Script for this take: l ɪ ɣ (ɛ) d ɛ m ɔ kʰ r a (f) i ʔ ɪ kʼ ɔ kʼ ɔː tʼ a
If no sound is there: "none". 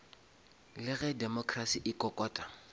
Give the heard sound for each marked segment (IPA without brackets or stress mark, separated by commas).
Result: ɛ, s